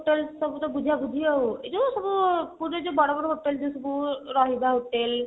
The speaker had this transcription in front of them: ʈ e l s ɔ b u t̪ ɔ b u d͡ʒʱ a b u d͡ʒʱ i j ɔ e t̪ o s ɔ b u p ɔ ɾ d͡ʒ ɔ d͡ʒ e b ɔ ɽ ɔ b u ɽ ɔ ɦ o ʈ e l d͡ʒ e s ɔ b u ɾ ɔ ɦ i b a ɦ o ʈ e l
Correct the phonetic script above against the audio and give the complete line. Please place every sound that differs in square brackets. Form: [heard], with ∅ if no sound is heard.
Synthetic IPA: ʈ e l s ɔ b u t̪ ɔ b u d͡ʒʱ a b u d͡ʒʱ i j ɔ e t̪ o s ɔ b u p [u] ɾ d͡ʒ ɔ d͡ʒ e b ɔ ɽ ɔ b [ɔ] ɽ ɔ ɦ o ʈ e l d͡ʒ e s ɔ b u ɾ ɔ ɦ i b a ɦ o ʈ e l